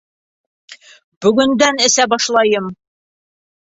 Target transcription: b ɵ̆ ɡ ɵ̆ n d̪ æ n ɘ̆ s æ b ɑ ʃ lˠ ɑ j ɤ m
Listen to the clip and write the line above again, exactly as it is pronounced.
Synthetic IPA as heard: b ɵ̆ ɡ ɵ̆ n d̪ æ n ɘ̆ s æ b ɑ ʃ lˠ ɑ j ɤ m

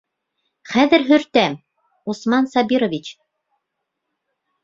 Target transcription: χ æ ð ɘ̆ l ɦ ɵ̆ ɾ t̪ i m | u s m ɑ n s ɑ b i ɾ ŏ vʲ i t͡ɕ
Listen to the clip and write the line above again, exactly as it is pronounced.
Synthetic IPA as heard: χ æ ð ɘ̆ ɾ ɦ ɵ̆ ɾ t̪ æ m | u s m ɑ n s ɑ b i ɾ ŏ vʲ i t͡ɕ

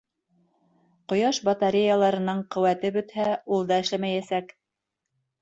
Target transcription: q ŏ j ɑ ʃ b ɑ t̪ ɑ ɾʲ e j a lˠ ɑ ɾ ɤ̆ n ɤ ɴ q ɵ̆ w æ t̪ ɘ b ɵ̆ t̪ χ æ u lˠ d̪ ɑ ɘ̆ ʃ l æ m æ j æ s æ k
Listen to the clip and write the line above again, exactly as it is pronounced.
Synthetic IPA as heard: q ŏ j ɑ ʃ b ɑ t̪ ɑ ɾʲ e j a lˠ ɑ ɾ ɤ̆ n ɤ ɴ q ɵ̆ w æ t̪ ɘ b ɵ̆ t̪ h æ u lˠ d̪ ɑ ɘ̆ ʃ l æ m æ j æ s æ k

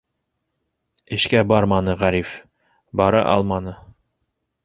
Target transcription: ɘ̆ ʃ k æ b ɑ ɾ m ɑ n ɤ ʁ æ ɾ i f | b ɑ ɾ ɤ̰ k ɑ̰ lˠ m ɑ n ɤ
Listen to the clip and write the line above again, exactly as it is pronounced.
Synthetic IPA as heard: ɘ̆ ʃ k æ b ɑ ɾ m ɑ n ɤ ʁ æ ɾ i f | b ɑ ɾ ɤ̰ ʔ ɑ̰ lˠ m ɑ n ɤ

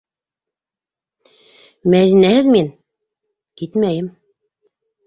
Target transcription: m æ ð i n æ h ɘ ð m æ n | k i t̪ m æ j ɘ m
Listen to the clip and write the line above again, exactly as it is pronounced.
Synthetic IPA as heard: m æ ð i n æ h ɘ ð m i n | k i t̪ m æ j ɘ m

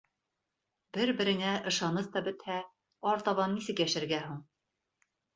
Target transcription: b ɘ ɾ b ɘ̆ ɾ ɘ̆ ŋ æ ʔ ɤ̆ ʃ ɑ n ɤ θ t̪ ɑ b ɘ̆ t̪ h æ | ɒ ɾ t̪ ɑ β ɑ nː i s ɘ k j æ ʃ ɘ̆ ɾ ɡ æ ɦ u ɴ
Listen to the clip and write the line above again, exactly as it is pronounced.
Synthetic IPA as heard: b ɘ ɾ b ɘ̆ ɾ ɘ̆ ŋ æ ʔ ɤ̆ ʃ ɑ n ɤ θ t̪ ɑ b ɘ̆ t̪ h æ | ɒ ɾ t̪ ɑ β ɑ nː i s ɘ k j æ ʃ ɘ̆ ɾ ɡ æ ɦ u ɴ

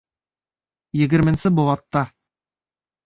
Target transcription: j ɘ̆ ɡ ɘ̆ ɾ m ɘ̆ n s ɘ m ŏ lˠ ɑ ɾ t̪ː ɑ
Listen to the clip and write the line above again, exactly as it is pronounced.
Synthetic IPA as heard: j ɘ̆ ɡ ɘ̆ ɾ m ɘ̆ n s ɘ b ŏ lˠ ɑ t̪ː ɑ

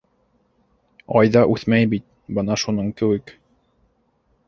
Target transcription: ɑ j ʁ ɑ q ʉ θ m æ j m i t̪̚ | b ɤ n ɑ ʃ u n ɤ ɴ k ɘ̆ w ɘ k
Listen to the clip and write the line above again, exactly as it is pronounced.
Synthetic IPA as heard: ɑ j ð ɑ ʔ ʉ θ m æ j b i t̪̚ | b ɤ n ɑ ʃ u n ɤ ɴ k ɘ̆ w ɘ k

